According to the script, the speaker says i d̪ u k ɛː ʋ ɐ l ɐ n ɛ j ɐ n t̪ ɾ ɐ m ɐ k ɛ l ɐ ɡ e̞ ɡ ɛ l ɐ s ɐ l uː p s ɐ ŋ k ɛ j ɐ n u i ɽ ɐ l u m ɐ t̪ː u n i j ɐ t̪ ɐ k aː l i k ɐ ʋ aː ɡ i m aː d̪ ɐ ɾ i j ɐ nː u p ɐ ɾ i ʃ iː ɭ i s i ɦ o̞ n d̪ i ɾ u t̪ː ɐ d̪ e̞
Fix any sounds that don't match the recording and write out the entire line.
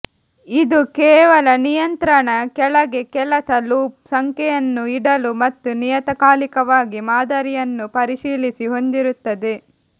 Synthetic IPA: i d̪ u k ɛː ʋ ɐ l ɐ n i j ɐ n t̪ ɾ ɐ ɳ ɐ k ɛ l ɐ ɡ e̞ k ɛ l ɐ s ɐ l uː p s ɐ ŋ k ɛ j ɐ nː u i ɽ ɐ l u m ɐ t̪ː u n i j ɐ t̪ ɐ k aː l i k ɐ ʋ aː ɡ i m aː d̪ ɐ ɾ i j ɐ nː u p ɐ ɾ i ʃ iː l i s i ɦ o̞ n d̪ i ɾ u t̪ː ɐ d̪ e̞

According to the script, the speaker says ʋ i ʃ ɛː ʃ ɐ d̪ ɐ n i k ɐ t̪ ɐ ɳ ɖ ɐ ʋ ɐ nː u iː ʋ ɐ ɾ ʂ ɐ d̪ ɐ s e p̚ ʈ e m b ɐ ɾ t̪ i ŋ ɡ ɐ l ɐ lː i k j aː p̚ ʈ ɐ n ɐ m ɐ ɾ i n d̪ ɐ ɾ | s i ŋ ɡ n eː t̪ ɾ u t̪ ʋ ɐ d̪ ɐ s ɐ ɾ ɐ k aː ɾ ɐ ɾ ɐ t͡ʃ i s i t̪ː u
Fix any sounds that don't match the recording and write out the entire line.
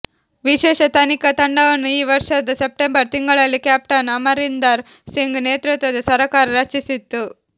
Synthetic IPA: ʋ i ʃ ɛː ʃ ɐ t̪ ɐ n i k ɐ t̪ ɐ ɳ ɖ ɐ ʋ ɐ nː u iː ʋ ɐ ɾ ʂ ɐ d̪ ɐ s e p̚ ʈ e m b ɐ ɾ t̪ i ŋ ɡ ɐ ɭ ɐ lː i k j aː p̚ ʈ ɐ n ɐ m ɐ ɾ i n d̪ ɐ ɾ | s i ŋ ɡ n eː t̪ ɾ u t̪ ʋ ɐ d̪ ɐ s ɐ ɾ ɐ k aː ɾ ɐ ɾ ɐ t͡ʃ i s i t̪ː u

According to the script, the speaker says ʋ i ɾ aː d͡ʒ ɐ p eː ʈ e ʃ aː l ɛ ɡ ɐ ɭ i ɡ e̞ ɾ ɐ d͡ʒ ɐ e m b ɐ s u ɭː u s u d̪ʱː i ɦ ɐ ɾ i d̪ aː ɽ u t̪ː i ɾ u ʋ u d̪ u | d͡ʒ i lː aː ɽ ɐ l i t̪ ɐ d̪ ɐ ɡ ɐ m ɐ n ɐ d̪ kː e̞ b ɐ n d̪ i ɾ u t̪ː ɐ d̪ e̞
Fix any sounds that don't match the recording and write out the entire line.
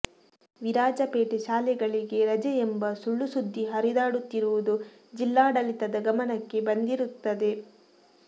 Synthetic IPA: ʋ i ɾ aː d͡ʒ ɐ p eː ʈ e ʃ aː l ɛ ɡ ɐ ɭ i ɡ e̞ ɾ ɐ d͡ʒ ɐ e m b ɐ s u ɭː u s u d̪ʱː i ɦ ɐ ɾ i d̪ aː ɽ u t̪ː i ɾ u ʋ u d̪ u | d͡ʒ i lː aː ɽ ɐ l i t̪ ɐ d̪ ɐ ɡ ɐ m ɐ n ɐ kː e̞ b ɐ n d̪ i ɾ u t̪ː ɐ d̪ e̞

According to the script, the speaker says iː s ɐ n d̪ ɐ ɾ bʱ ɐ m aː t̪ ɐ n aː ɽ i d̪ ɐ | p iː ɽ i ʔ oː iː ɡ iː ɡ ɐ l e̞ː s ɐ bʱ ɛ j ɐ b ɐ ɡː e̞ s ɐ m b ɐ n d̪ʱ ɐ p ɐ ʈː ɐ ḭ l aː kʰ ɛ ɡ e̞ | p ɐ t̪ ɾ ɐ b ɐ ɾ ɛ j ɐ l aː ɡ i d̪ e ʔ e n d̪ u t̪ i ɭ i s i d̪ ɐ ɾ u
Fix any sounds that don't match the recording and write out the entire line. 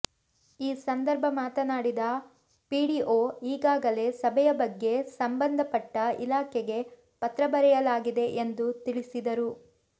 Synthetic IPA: iː s ɐ n d̪ ɐ ɾ bʱ ɐ m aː t̪ ɐ n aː ɽ i d̪ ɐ | p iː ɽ i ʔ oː iː ɡ aː ɡ ɐ l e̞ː s ɐ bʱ ɛ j ɐ b ɐ ɡː e̞ s ɐ m b ɐ n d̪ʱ ɐ p ɐ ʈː ɐ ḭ l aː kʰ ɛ ɡ e̞ | p ɐ t̪ ɾ ɐ b ɐ ɾ ɛ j ɐ l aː ɡ i d̪ e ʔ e n d̪ u t̪ i ɭ i s i d̪ ɐ ɾ u

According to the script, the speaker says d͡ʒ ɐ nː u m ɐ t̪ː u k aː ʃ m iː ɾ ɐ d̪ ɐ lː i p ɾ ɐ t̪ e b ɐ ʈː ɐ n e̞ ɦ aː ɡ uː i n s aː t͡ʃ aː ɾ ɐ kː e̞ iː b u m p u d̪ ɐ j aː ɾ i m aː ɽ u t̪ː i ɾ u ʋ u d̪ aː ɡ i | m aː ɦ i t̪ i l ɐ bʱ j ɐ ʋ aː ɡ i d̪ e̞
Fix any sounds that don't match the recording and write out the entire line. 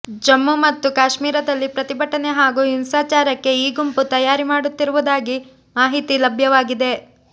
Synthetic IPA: d͡ʒ ɐ mː u m ɐ t̪ː u k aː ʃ m iː ɾ ɐ d̪ ɐ lː i p ɾ ɐ t̪ i b ɐ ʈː ɐ n e̞ ɦ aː ɡ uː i n s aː t͡ʃ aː ɾ ɐ kː e̞ iː ɡ u m p u t̪ ɐ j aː ɾ i m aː ɽ u t̪ː i ɾ u ʋ u d̪ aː ɡ i | m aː ɦ i t̪ i l ɐ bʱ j ɐ ʋ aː ɡ i d̪ e̞

